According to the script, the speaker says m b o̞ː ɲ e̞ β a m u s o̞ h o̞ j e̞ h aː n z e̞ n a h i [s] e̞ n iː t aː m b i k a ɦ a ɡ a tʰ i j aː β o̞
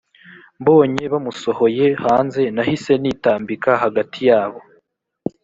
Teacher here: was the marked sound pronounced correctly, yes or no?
yes